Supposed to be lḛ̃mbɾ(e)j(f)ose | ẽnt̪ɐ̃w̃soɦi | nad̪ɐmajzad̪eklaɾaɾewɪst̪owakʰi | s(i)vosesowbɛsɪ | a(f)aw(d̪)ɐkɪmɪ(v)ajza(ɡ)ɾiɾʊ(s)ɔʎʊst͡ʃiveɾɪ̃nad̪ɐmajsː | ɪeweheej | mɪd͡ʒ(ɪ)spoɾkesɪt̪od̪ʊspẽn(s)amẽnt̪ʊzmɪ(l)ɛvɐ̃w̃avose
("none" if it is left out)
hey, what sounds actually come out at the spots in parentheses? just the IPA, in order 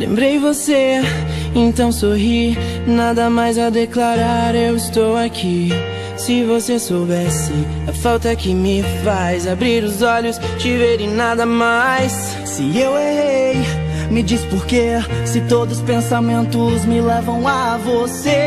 e, v, ɪ, f, t̪, f, b, z, i, s, l

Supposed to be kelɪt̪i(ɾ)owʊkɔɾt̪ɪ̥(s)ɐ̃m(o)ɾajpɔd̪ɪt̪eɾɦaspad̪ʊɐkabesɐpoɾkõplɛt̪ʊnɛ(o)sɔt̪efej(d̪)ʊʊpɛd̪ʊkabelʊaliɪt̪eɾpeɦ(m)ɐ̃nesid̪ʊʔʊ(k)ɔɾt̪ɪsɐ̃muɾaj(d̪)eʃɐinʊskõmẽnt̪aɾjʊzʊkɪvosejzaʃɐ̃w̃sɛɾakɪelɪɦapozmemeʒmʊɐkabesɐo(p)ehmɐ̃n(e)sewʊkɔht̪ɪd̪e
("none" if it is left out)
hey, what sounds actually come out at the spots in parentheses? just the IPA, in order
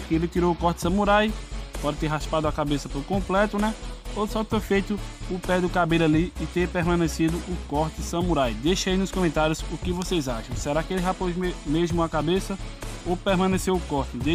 ɾ, s, u, o, t̪, m, k, d̪, p, e

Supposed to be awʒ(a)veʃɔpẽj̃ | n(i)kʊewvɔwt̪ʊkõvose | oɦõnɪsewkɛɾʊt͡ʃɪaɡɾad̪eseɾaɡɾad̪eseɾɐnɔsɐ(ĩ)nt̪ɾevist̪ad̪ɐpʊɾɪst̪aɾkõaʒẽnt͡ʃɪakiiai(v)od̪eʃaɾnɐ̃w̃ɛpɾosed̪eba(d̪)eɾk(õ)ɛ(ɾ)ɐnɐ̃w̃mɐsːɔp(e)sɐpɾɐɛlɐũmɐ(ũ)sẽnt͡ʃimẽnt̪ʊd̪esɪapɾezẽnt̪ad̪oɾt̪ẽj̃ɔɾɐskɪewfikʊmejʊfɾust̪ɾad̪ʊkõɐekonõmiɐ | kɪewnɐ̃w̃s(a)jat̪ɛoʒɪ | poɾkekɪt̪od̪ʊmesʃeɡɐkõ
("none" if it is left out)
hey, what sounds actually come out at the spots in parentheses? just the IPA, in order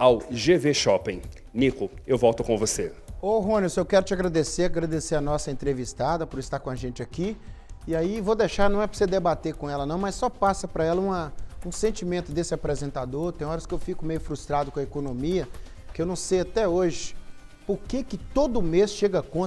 e, i, ẽ, v, t̪, õ, l, a, ũ, e

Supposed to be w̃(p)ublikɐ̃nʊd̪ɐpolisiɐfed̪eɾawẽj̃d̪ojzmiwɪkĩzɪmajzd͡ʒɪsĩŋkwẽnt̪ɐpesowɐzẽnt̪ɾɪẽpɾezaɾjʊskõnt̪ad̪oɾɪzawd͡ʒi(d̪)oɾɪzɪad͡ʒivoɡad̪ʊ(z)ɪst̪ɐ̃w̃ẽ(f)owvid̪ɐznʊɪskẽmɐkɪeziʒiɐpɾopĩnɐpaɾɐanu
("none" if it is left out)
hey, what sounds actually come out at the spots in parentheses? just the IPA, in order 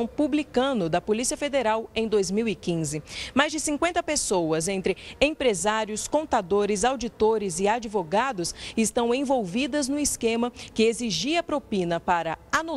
p, t̪, s, v

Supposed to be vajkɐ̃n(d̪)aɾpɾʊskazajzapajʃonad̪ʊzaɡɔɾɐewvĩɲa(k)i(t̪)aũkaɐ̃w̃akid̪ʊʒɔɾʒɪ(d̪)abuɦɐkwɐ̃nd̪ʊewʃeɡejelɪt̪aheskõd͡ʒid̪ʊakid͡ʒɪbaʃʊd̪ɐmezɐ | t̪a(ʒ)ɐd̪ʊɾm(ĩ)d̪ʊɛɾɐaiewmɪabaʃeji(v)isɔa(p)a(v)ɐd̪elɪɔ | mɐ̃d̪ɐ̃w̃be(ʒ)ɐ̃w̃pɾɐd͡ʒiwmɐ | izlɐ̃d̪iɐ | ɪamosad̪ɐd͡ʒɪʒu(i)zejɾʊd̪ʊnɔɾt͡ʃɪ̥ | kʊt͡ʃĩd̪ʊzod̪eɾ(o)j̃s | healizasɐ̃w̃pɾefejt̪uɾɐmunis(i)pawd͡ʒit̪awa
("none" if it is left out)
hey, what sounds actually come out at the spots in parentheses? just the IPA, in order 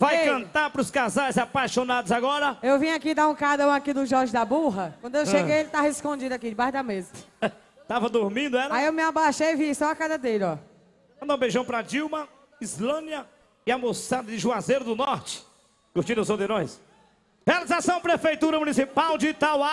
t̪, k, d̪, d̪, v, ĩ, v, k, z, ʒ, a, õ, i

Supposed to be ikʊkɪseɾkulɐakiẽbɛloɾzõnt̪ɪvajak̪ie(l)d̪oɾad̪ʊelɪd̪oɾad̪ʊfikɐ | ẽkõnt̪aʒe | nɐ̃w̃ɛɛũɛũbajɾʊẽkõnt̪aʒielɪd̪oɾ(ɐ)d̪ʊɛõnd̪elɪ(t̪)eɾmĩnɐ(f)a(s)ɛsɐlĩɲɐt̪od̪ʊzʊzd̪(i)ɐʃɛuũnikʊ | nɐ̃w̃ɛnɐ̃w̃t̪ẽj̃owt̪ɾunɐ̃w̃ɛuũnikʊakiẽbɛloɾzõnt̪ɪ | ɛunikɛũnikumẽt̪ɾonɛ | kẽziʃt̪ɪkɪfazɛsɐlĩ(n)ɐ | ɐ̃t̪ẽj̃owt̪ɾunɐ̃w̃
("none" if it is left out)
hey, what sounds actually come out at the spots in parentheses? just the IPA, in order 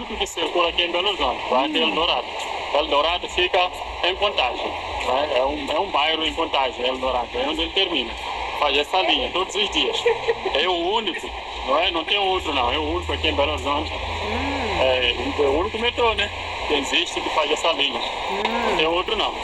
l, a, t̪, f, z, i, ɲ

